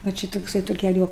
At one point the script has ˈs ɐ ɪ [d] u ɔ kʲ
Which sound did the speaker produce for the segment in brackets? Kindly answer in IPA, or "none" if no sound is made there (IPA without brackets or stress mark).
t